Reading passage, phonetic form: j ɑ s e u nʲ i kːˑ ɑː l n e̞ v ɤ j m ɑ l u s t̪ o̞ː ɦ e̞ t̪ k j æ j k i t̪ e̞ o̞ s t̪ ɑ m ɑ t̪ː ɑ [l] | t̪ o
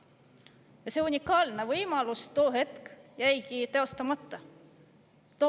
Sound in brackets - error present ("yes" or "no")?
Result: yes